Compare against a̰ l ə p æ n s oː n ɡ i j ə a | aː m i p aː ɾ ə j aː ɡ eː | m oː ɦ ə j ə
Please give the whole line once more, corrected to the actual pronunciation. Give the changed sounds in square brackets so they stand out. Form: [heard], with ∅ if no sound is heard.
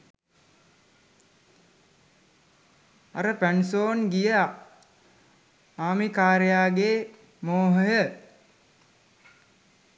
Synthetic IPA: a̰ [ɾ] ə p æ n s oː n ɡ i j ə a | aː m i [k] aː ɾ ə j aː ɡ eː | m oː ɦ ə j ə